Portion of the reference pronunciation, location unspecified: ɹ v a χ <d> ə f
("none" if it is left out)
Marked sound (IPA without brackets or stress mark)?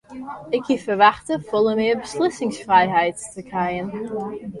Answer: t